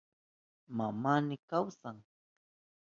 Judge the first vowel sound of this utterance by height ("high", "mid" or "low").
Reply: low